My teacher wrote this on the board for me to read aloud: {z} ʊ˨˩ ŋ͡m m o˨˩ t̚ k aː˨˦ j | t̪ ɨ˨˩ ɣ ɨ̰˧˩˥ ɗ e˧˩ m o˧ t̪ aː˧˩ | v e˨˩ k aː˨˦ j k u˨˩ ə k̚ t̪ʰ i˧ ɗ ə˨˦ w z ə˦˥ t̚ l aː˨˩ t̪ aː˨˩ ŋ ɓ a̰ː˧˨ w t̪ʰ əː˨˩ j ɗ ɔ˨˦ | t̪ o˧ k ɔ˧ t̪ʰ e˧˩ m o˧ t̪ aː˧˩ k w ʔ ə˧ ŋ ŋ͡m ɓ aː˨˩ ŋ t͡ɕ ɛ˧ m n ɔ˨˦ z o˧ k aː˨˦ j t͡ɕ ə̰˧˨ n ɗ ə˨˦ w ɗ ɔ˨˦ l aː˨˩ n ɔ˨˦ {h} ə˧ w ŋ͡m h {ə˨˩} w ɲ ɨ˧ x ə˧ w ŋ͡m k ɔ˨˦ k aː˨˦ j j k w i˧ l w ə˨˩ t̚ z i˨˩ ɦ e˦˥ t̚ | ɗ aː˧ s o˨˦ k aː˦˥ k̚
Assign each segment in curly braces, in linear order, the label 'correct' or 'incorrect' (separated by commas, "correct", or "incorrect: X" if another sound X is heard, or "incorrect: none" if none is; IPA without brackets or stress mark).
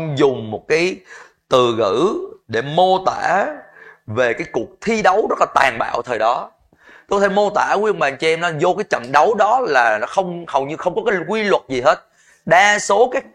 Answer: correct, incorrect: x, correct